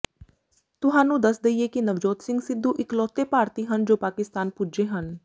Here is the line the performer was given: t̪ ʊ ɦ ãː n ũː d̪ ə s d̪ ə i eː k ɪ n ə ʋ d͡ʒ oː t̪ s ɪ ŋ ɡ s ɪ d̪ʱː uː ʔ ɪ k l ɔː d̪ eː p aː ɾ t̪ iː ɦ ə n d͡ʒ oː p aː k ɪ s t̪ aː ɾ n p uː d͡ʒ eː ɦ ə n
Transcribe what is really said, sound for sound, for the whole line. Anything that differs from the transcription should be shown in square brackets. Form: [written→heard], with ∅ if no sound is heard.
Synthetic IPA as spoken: t̪ ʊ ɦ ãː n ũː d̪ ə s d̪ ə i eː k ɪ n ə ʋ d͡ʒ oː t̪ s ɪ ŋ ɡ s ɪ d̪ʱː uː ʔ ɪ k l ɔː [d̪→t̪] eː p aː ɾ t̪ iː ɦ ə n d͡ʒ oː p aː k ɪ s t̪ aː [ɾ→∅] n p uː d͡ʒ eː ɦ ə n